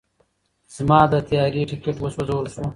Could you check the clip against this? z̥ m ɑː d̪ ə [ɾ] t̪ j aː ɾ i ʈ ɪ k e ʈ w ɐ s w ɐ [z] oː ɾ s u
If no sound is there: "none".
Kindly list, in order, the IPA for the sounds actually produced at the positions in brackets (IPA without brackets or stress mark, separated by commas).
none, z